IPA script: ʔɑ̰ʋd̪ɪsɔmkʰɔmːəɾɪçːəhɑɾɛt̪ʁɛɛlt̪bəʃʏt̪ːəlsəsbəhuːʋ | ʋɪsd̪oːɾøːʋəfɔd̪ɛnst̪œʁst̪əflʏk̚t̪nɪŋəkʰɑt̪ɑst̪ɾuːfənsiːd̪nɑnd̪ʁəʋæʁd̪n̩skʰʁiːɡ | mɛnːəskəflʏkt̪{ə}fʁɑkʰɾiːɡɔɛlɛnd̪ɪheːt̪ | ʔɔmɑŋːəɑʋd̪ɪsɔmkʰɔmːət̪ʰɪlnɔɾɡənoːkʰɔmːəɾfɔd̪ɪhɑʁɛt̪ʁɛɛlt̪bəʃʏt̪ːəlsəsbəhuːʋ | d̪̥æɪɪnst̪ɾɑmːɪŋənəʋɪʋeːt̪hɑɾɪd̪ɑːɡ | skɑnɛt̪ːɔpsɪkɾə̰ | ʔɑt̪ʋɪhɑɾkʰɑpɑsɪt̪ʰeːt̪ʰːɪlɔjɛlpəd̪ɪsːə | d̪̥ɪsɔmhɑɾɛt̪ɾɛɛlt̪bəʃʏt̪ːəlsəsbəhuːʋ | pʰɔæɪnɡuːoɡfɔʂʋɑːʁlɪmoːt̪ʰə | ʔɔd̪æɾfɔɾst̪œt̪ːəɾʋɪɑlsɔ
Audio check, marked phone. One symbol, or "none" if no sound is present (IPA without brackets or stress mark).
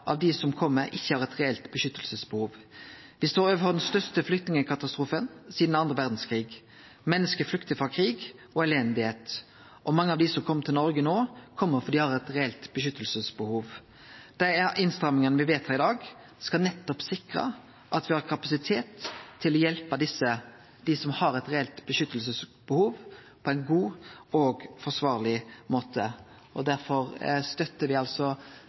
ə